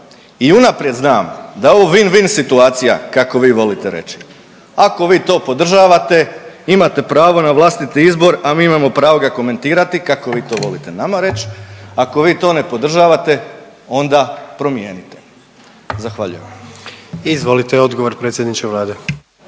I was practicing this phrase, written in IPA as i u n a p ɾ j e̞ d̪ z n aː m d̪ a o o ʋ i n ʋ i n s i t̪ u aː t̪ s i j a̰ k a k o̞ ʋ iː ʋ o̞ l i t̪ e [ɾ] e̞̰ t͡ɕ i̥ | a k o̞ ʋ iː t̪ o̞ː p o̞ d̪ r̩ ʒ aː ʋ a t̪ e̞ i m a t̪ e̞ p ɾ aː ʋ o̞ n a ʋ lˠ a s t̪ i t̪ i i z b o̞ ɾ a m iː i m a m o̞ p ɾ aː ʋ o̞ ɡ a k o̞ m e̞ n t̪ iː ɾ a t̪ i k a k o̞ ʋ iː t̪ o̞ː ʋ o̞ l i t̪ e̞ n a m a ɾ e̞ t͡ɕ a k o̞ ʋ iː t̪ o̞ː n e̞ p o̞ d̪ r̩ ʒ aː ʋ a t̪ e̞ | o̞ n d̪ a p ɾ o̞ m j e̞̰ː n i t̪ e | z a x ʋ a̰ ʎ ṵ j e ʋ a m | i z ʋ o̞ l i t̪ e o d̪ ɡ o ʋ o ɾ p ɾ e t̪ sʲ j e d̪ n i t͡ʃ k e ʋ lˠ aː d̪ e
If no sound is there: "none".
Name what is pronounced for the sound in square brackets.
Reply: ɾ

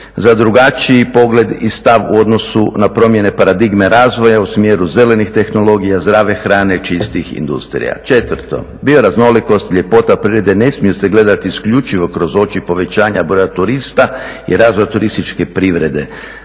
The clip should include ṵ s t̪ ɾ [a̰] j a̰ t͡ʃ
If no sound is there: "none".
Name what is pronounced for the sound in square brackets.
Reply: ḭ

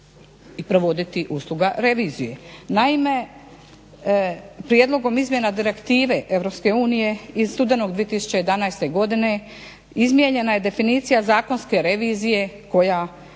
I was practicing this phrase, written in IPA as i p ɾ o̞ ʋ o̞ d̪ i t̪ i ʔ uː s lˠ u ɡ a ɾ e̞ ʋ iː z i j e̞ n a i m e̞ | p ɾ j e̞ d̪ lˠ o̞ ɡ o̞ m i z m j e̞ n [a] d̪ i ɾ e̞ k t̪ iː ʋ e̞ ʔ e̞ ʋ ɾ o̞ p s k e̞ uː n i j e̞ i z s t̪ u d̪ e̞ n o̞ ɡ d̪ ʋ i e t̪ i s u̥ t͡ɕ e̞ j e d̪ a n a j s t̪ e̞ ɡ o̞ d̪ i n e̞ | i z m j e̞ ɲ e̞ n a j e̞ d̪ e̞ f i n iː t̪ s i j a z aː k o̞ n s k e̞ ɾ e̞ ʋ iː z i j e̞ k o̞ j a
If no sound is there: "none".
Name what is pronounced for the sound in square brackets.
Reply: a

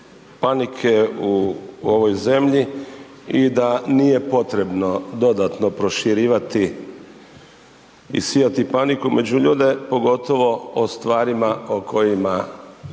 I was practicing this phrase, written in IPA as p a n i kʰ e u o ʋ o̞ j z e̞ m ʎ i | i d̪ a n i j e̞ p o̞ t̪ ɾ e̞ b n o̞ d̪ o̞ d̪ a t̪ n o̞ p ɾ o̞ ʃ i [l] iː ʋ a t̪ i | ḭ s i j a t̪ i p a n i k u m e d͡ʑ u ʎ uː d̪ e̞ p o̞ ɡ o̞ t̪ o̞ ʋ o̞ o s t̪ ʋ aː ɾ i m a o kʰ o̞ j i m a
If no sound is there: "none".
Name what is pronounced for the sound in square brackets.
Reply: ɾ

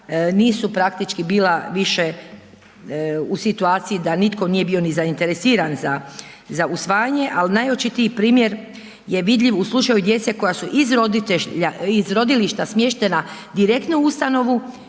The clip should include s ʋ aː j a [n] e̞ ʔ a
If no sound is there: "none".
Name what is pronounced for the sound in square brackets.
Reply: ɲ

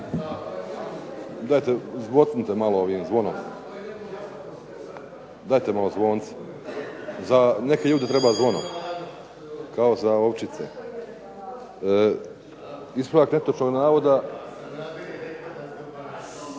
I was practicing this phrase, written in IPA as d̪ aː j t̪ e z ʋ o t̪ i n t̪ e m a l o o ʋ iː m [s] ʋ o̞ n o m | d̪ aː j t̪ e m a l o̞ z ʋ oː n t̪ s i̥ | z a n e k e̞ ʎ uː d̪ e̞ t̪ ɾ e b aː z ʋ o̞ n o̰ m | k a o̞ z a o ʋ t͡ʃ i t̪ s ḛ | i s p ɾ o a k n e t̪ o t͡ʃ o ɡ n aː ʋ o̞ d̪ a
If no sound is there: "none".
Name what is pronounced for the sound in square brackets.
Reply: z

